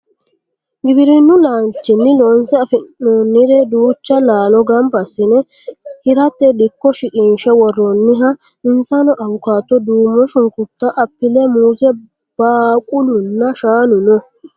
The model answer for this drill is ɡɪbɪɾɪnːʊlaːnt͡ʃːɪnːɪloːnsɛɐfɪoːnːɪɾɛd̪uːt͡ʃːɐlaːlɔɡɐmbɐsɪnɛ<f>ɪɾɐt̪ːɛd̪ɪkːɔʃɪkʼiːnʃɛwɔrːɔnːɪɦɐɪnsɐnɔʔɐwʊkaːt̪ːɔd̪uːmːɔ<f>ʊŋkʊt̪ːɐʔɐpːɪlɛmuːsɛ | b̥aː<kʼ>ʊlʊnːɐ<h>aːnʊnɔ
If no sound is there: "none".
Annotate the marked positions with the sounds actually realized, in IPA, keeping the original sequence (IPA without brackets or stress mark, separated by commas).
h, ʃ, kʼ, ʃ